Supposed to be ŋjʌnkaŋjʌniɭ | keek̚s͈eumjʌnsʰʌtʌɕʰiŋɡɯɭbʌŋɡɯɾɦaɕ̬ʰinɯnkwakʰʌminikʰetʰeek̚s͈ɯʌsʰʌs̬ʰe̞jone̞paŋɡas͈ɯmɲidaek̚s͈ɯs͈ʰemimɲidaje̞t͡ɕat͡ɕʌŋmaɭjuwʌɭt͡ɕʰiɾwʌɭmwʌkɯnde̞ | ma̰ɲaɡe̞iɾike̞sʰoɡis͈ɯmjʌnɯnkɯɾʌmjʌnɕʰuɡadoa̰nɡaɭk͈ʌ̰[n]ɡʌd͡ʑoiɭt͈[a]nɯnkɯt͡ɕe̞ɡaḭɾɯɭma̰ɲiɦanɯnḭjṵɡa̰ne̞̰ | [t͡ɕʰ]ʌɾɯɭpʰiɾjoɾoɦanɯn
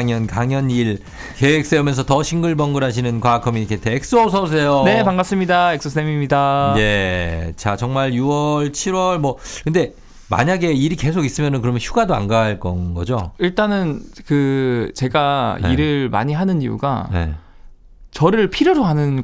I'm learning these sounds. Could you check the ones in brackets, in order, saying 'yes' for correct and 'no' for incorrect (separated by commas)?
yes, yes, no